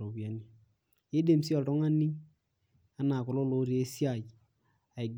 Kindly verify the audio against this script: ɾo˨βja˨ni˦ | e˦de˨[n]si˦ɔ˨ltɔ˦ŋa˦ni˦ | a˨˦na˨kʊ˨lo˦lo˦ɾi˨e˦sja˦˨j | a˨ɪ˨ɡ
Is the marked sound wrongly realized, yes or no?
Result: yes